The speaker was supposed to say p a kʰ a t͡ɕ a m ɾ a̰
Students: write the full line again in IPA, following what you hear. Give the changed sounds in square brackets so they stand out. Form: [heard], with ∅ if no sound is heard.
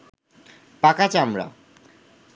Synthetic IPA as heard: p a [k] a t͡ɕ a m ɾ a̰